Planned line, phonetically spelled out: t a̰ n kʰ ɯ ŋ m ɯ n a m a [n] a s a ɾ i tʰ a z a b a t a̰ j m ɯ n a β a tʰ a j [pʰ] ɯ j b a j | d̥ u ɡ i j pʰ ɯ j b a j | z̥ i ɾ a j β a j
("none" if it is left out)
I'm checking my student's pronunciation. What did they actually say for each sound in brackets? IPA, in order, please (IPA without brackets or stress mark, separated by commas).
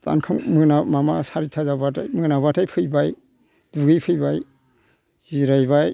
m, pʰ